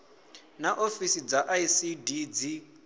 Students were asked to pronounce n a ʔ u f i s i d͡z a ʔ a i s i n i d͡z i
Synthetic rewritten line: n a ʔ o f i s i d͡z a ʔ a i s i d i d͡z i